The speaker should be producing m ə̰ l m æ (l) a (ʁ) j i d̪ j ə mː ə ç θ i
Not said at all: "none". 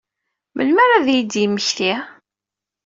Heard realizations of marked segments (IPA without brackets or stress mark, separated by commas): ɾ, ð